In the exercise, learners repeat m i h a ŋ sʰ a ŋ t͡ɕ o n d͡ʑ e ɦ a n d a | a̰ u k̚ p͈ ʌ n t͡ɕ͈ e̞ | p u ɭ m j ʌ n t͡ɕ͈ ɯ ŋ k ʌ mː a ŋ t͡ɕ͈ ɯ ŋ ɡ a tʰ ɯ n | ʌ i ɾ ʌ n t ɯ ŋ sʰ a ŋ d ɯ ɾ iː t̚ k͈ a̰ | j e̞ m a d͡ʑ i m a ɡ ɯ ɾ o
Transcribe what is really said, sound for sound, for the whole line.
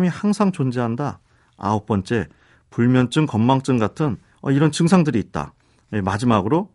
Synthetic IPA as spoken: m i h a ŋ sʰ a ŋ t͡ɕ o n d͡ʑ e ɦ a n d a | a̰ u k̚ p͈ ʌ n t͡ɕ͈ e̞ | p u ɭ m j ʌ n t͡ɕ͈ ɯ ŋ k ʌ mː a ŋ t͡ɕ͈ ɯ ŋ ɡ a tʰ ɯ n | ʌ i ɾ ʌ n t͡ɕ ɯ ŋ sʰ a ŋ d ɯ ɾ iː t̚ t͈ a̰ | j e̞ m a d͡ʑ i m a ɡ ɯ ɾ o